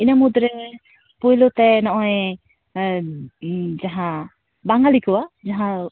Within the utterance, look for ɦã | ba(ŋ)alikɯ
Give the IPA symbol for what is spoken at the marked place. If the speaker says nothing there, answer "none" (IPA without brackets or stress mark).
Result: ŋ